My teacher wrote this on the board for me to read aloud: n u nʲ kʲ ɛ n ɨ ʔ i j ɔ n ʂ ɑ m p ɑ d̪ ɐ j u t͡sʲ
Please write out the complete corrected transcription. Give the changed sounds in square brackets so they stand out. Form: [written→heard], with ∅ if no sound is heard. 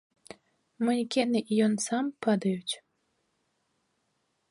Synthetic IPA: [n→m] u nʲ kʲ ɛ n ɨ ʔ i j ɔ n [ʂ→s] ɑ m p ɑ d̪ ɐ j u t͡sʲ